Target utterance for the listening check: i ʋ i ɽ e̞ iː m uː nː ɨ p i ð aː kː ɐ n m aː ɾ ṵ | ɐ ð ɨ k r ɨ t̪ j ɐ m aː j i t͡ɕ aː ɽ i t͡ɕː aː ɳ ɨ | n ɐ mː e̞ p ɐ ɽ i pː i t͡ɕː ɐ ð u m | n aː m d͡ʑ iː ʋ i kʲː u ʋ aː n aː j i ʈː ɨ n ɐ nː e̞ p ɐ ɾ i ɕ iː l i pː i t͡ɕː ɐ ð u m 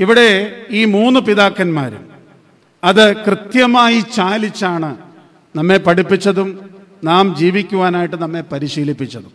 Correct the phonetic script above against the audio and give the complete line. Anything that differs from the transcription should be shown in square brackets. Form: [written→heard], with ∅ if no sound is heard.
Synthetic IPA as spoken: i ʋ i ɽ e̞ iː m uː nː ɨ p i ð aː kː ɐ n m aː ɾ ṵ | ɐ ð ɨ k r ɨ t̪ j ɐ m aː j i t͡ɕ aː [ɽ→l] i t͡ɕː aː ɳ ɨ | n ɐ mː e̞ p ɐ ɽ i pː i t͡ɕː ɐ ð u m | n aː m d͡ʑ iː ʋ i kʲː u ʋ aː n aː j i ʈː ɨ n ɐ [nː→mː] e̞ p ɐ ɾ i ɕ iː l i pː i t͡ɕː ɐ ð u m